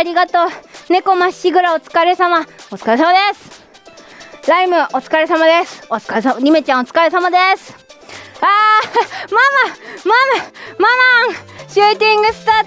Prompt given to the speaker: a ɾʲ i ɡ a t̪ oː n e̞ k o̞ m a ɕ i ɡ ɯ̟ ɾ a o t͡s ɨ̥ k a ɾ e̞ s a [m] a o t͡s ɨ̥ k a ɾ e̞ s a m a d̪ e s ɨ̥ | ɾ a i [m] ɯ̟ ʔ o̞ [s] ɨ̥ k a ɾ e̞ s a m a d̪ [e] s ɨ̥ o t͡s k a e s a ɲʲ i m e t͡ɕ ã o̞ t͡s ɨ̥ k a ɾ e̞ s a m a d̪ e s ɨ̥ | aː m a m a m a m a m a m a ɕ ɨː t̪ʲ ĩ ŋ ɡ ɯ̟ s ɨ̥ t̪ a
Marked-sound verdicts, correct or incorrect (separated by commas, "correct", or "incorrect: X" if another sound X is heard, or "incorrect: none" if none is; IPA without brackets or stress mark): correct, correct, incorrect: t͡s, correct